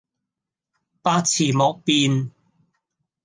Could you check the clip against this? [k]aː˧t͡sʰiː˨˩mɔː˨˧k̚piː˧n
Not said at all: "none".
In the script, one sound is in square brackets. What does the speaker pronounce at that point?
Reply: p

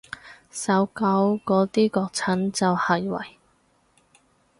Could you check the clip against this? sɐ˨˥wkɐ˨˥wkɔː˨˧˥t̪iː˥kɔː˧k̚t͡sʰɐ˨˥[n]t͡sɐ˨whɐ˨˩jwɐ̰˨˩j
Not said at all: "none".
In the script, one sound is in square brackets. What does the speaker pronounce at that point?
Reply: n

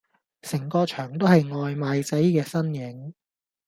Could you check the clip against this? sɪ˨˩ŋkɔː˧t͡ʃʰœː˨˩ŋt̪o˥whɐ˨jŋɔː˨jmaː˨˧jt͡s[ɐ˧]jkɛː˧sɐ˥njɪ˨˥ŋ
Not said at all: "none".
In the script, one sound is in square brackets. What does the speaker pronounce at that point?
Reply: ɐ˨˥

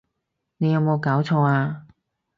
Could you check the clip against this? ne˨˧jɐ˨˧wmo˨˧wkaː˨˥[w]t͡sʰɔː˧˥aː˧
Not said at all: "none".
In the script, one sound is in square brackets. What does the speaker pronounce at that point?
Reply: w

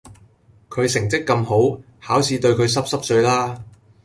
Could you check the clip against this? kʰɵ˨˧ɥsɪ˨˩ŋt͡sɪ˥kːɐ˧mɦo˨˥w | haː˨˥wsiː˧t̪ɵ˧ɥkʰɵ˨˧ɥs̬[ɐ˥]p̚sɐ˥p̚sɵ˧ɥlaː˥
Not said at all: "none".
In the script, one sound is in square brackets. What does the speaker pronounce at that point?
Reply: ɐ˥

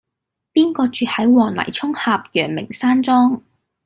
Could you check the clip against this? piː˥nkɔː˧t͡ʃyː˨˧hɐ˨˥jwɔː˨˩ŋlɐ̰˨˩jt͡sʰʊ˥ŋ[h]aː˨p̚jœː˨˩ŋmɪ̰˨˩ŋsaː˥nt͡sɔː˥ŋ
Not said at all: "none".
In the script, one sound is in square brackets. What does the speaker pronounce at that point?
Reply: h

